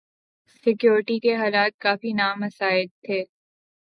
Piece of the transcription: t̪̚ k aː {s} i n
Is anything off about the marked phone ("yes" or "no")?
yes